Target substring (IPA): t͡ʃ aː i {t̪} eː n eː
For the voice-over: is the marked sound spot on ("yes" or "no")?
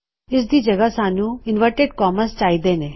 no